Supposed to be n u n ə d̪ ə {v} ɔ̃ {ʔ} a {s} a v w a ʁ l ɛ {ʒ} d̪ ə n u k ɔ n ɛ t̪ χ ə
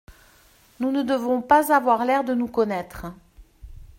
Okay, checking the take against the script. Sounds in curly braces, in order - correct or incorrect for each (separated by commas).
correct, incorrect, incorrect, incorrect